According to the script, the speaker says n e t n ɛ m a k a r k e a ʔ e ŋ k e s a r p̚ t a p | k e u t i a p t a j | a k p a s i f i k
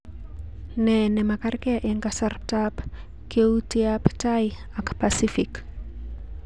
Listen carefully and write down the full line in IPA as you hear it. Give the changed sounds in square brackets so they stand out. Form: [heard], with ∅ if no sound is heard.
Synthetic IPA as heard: n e [∅] n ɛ m a k a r k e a ʔ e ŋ k [a] s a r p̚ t a p | k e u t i a p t a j | a k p a s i f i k